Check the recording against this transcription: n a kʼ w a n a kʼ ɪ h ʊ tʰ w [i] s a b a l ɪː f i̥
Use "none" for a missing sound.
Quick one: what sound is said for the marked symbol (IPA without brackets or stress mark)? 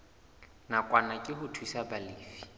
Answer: i